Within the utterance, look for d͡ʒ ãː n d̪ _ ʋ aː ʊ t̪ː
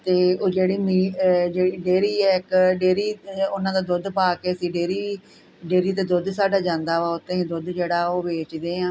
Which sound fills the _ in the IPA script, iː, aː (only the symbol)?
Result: aː